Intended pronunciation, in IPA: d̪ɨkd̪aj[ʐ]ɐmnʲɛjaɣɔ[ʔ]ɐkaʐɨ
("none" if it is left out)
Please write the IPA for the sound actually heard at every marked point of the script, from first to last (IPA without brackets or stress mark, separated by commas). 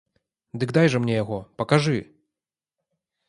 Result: ʐ, p